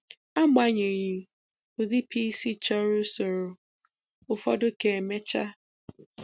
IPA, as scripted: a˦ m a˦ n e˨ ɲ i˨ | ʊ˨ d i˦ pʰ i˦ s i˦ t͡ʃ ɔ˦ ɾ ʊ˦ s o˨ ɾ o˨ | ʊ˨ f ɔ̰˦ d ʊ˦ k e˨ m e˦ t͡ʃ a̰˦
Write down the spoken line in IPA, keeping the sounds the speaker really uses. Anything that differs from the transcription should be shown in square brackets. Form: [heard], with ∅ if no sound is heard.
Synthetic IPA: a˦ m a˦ [ɲ] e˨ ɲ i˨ | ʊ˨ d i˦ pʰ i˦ s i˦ t͡ʃ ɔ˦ ɾ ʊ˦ s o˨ ɾ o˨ | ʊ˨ f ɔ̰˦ d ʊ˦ k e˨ m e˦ t͡ʃ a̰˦

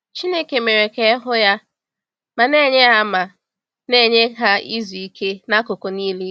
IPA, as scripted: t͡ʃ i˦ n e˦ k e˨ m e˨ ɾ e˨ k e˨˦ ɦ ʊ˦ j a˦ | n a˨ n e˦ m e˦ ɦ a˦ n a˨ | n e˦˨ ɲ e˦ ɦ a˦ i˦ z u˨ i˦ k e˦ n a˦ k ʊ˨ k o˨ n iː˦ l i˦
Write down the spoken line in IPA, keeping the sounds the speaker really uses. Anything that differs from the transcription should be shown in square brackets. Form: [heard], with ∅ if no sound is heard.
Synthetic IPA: t͡ʃ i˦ n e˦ k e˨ m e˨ ɾ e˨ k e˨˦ ɦ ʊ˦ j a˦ | [m] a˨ n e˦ [ɲ] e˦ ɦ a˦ [m] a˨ | n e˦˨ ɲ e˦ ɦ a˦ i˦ z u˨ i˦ k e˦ n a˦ k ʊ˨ k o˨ n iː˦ l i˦

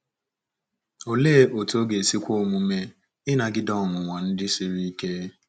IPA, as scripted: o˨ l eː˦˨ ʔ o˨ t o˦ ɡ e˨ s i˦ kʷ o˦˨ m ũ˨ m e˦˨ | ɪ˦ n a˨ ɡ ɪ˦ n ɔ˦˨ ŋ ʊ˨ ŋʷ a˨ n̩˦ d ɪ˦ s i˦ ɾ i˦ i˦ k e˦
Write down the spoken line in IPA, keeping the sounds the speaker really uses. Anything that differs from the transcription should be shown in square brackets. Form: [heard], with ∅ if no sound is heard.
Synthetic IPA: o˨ l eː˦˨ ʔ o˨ t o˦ ɡ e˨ s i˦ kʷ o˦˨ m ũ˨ m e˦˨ | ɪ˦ n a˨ ɡ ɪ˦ [d] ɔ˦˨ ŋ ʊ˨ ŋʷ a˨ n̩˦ d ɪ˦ s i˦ ɾ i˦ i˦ k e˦

